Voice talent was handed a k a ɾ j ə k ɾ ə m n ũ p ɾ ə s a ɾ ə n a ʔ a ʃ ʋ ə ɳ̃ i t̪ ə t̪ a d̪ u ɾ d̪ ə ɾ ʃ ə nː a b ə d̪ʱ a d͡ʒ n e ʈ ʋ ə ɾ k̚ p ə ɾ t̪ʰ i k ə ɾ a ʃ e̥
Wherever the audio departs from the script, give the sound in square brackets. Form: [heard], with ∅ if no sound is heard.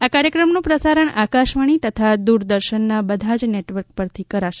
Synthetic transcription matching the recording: a k a ɾ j ə k ɾ ə m n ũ p ɾ ə s a ɾ ə [ɳ] a [k] a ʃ ʋ ə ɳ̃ i t̪ ə [t̪ʰ] a d̪ u ɾ d̪ ə ɾ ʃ ə nː a b ə d̪ʱ a d͡ʒ n e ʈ ʋ ə ɾ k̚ p ə ɾ t̪ʰ i k ə ɾ a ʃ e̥

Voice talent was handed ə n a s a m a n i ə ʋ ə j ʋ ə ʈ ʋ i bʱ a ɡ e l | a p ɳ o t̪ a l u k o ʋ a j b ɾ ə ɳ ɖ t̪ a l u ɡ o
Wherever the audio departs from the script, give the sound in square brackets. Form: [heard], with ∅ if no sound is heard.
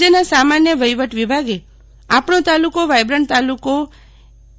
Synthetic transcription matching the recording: ə n a s a m a n [j] ə ʋ ə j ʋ ə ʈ ʋ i bʱ a ɡ e [∅] | a p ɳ o t̪ a l u k o ʋ a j b ɾ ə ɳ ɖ t̪ a l u [k] o

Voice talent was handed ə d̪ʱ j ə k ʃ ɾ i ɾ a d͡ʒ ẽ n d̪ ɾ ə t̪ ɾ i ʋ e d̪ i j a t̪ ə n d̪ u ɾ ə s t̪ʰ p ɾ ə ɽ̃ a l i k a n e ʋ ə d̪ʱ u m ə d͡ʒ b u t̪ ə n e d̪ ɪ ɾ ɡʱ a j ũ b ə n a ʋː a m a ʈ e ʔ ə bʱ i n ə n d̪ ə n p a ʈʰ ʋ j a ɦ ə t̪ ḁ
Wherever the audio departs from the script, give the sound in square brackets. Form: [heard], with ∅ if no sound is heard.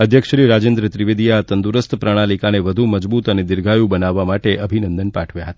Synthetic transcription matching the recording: ə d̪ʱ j ə k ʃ ɾ i ɾ a d͡ʒ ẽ n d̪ ɾ ə t̪ ɾ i ʋ e d̪ i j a t̪ ə n d̪ u ɾ ə s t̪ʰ p ɾ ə ɽ̃ a l i k a n e ʋ ə d̪ʱ u m ə d͡ʒ b u t̪ ə n e d̪ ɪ ɾ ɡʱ a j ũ b ə n a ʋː a m a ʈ e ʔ ə bʱ i n ə n d̪ ə n p a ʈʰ ʋ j a ɦ ə t̪ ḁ

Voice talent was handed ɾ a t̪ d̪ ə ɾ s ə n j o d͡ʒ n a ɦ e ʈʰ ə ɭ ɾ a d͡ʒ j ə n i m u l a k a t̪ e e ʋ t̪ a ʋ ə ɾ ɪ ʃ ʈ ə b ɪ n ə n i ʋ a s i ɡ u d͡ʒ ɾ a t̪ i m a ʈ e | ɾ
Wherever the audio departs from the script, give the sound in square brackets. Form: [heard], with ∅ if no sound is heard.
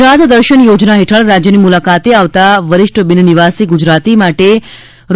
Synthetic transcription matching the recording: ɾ a t̪ d̪ ə ɾ [ʃ] ə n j o d͡ʒ n a ɦ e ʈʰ ə ɭ ɾ a d͡ʒ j ə n i m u l a k a t̪ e [a] ʋ t̪ a ʋ ə ɾ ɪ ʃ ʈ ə b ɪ n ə n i ʋ a s i ɡ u d͡ʒ ɾ a t̪ i m a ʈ e | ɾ

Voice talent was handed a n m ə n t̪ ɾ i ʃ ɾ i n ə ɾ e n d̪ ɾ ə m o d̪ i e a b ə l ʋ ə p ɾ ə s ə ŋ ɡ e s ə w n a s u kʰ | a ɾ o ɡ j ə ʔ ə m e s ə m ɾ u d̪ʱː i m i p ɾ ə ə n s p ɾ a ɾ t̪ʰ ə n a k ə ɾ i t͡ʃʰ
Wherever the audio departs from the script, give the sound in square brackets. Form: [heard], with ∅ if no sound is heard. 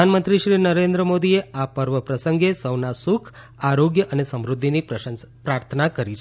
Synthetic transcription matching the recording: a n m ə n t̪ ɾ i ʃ ɾ i n ə ɾ e n d̪ ɾ ə m o d̪ i e a [p] ə [ɾ] ʋ ə p ɾ ə s ə ŋ ɡ e s ə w n a s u kʰ | a ɾ o ɡ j ə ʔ ə [n] e s ə m ɾ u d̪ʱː i [n] i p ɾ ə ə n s p ɾ a ɾ t̪ʰ ə n a k ə ɾ i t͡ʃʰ

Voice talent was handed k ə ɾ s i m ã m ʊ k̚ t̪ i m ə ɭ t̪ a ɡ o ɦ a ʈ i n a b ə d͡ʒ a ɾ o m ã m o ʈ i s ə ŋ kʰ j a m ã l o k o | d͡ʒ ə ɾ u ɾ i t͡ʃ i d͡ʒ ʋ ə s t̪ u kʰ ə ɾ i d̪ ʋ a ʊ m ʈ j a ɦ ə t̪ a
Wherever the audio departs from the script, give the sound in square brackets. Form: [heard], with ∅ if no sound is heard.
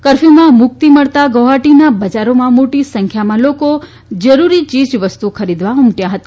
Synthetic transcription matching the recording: k ə ɾ [f] i m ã m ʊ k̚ t̪ i m ə ɭ t̪ a ɡ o ɦ a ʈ i n a b ə d͡ʒ a ɾ o m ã m o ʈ i s ə ŋ kʰ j a m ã l o k o | d͡ʒ ə ɾ u ɾ i t͡ʃ i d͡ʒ ʋ ə s t̪ u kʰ ə ɾ i d̪ ʋ a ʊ m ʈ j a ɦ ə t̪ a

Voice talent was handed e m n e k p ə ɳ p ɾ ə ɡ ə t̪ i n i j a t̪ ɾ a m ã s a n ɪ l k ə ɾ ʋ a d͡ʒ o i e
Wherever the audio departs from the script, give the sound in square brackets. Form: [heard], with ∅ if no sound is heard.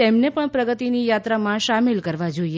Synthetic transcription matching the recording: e m n e [∅] p ə ɳ p ɾ ə ɡ ə t̪ i n i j a t̪ ɾ a m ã [ʃ] a [m] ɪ l k ə ɾ ʋ a d͡ʒ o i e

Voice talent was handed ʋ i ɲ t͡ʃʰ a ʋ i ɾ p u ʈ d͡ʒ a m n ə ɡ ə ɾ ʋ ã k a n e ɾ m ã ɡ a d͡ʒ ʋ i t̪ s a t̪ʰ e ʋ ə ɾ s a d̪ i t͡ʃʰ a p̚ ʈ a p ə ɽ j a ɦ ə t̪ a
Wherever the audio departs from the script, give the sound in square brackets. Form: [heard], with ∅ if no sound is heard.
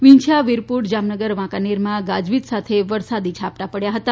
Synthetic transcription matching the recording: ʋ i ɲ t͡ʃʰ a ʋ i ɾ p u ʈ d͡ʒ a m n ə ɡ ə ɾ ʋ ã k a n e ɾ m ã ɡ a d͡ʒ ʋ i t̪ s a t̪ʰ e ʋ ə ɾ s a d̪ i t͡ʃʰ a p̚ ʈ a p ə ɽ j a ɦ ə t̪ a

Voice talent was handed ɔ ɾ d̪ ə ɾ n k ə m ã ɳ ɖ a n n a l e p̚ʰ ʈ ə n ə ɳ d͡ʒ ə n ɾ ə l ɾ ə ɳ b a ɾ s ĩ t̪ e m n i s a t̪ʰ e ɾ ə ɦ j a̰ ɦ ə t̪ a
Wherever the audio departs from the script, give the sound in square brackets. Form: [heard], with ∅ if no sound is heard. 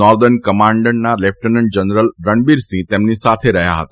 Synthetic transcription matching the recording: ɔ ɾ d̪ ə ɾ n k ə m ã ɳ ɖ [ə] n n a l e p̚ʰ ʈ ə n ə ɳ d͡ʒ ə n ɾ ə l ɾ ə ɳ b [i] ɾ s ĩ t̪ e m n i s a t̪ʰ e ɾ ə ɦ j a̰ ɦ ə t̪ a

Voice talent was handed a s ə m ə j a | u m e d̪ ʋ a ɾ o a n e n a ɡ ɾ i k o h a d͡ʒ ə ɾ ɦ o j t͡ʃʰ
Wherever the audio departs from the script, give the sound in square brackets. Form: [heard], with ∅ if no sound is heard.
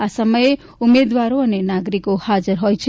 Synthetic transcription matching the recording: a s ə m ə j [e] | u m e d̪ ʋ a ɾ o [ə] n e n a ɡ ɾ i k o h a d͡ʒ ə ɾ ɦ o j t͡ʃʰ

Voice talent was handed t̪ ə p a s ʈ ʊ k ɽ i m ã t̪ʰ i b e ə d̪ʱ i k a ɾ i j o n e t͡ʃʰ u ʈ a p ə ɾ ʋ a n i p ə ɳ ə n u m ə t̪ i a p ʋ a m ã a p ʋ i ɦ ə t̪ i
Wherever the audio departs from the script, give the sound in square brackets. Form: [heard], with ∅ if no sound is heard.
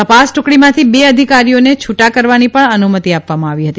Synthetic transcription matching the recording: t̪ ə p a s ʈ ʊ k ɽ i m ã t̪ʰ i b e ə d̪ʱ i k a ɾ i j o n e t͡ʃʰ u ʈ a [k] ə ɾ ʋ a n i p ə ɳ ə n u m ə t̪ i a p ʋ a m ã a [∅] ʋ i ɦ ə t̪ i

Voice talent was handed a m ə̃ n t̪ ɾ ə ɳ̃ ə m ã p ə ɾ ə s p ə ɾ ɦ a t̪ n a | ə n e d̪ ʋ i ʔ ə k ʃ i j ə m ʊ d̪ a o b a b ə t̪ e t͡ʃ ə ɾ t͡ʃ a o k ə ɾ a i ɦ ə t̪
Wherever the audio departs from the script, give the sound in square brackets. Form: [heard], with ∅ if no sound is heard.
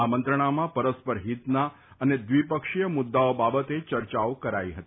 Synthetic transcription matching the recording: a m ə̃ n t̪ ɾ ə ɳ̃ [a] m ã p ə ɾ ə s p ə ɾ ɦ [i] t̪ n a | ə n e d̪ ʋ i [p] ə k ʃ i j ə m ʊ [d̪ː] a o b a b ə t̪ e t͡ʃ ə ɾ t͡ʃ a o k ə ɾ a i ɦ ə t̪

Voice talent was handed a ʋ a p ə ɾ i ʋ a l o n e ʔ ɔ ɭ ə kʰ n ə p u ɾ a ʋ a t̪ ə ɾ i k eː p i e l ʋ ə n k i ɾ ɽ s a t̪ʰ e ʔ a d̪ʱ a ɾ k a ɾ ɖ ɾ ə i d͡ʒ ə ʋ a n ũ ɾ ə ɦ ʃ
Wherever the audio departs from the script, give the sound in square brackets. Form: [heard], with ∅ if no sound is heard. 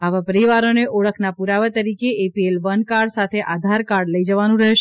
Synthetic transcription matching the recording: a ʋ a p ə ɾ i ʋ a [ɾ] o n e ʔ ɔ ɭ ə kʰ n [a] p u ɾ a ʋ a t̪ ə ɾ i k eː p i e l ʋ ə n k [a] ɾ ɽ s a t̪ʰ e ʔ a d̪ʱ a ɾ k a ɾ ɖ [l] ə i d͡ʒ ə ʋ a n ũ ɾ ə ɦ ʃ

